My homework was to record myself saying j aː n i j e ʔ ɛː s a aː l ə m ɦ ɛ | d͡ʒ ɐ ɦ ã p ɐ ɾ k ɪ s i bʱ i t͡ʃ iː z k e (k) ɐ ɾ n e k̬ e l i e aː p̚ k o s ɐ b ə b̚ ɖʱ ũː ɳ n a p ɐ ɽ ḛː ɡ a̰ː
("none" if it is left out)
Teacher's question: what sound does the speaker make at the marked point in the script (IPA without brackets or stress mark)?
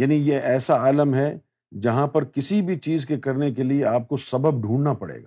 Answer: k